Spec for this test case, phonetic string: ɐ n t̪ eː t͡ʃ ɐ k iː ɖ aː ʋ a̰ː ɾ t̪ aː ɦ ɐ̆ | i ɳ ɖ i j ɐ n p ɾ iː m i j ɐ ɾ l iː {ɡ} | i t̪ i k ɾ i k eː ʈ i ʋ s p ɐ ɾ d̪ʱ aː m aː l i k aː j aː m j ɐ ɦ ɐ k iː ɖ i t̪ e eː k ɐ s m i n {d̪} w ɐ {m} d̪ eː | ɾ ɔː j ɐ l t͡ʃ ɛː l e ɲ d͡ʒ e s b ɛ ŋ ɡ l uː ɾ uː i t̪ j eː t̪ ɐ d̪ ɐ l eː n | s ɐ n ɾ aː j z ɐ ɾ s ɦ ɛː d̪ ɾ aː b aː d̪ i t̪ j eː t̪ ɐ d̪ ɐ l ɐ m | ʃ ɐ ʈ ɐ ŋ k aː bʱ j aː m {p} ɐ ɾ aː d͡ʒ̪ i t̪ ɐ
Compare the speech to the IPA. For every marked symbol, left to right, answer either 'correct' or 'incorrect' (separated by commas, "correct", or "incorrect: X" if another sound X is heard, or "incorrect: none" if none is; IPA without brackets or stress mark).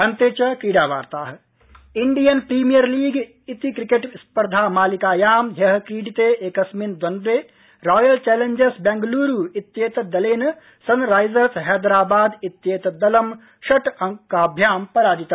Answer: correct, correct, incorrect: n, correct